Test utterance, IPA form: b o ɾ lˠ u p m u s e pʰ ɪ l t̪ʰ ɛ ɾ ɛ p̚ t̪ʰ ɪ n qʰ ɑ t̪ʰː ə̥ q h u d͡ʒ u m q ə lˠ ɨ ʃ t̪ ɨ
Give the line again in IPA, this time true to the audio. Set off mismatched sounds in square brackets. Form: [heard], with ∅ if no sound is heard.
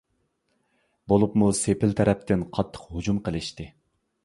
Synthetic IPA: b o [∅] lˠ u p m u s e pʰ ɪ l t̪ʰ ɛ ɾ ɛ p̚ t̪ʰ ɪ n qʰ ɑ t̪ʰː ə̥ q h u d͡ʒ u m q ə lˠ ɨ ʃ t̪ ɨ